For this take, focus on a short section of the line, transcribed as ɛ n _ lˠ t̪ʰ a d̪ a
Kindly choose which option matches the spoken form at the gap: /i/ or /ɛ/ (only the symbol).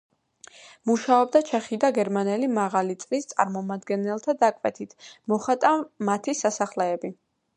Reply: ɛ